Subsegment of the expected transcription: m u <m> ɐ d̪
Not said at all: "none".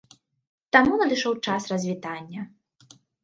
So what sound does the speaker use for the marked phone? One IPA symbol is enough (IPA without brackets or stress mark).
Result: n